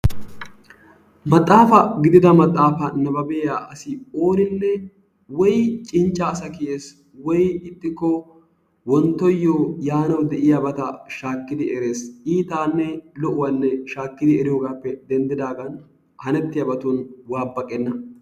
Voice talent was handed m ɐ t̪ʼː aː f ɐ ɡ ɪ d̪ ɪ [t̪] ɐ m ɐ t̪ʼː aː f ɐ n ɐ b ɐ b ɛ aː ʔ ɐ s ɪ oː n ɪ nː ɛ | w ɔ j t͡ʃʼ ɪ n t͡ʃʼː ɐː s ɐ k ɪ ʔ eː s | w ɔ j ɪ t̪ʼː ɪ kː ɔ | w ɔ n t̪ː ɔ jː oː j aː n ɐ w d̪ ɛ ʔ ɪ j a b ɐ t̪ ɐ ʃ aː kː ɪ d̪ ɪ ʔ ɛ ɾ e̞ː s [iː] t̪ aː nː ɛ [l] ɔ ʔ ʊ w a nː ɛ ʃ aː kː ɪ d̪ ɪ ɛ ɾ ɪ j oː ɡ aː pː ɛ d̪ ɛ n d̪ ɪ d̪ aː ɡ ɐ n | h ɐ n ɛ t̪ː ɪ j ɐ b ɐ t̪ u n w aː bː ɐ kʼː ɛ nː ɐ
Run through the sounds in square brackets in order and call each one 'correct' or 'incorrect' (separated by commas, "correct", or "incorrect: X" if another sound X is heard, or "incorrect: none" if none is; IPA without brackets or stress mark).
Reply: incorrect: d̪, correct, correct